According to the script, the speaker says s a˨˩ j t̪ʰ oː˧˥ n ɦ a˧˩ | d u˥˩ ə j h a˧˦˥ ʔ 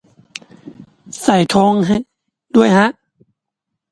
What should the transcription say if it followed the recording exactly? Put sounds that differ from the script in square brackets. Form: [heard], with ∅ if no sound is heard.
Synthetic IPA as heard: s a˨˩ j t̪ʰ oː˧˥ [ŋ] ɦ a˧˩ | d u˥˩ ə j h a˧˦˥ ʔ